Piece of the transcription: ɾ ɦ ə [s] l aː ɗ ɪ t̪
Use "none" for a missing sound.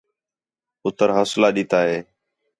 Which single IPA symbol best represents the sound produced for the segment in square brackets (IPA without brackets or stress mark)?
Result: s